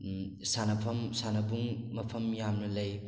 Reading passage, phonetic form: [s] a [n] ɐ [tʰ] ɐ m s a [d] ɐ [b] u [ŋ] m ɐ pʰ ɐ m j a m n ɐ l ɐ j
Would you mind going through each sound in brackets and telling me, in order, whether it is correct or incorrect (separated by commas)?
correct, correct, incorrect, incorrect, correct, correct